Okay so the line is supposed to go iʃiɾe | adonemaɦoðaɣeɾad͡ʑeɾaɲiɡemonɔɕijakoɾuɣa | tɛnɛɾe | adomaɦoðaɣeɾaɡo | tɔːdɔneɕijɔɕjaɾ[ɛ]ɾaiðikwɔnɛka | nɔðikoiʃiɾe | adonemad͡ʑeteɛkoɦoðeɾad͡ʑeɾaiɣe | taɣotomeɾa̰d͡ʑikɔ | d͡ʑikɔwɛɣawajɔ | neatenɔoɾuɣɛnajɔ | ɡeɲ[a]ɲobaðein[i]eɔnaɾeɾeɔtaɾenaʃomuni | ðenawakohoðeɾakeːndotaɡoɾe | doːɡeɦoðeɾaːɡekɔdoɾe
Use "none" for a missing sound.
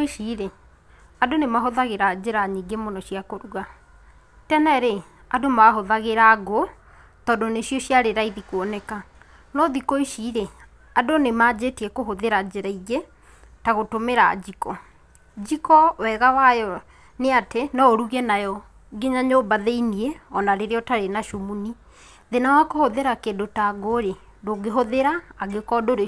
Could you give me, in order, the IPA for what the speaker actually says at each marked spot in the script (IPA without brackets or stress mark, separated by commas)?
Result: e, a, i